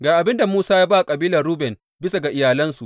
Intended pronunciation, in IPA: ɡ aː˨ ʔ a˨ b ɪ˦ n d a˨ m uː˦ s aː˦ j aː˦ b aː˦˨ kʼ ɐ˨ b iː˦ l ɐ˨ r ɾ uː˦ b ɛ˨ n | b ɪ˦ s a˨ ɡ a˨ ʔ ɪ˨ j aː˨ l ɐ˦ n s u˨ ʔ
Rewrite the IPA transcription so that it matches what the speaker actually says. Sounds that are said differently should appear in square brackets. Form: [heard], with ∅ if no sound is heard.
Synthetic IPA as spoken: ɡ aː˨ ʔ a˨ b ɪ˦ n d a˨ m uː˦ s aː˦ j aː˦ b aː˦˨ kʼ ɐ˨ b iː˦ l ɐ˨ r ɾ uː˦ b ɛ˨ n | b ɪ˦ s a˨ ɡ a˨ ʔ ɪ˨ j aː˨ l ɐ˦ n s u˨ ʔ